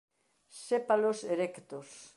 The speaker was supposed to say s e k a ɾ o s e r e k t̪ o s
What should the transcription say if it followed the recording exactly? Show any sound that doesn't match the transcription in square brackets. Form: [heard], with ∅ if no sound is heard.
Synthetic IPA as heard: s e [p] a [l] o s e [ɾ] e k t̪ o s